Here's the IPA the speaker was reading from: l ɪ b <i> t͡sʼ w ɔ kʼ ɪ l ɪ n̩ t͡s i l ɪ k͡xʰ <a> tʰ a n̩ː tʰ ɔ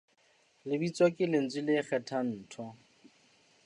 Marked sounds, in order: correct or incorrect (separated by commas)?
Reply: correct, incorrect